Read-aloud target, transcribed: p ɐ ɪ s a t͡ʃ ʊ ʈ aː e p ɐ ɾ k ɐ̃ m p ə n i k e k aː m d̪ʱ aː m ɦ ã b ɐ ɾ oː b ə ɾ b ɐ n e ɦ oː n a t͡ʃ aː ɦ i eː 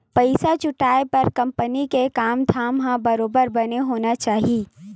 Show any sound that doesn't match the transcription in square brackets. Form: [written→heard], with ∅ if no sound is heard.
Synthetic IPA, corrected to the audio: p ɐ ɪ s a t͡ʃ ʊ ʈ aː e p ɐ ɾ k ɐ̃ m p ə n i k e k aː m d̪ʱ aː m ɦ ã b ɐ ɾ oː b ə ɾ b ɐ n e ɦ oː n a t͡ʃ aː ɦ i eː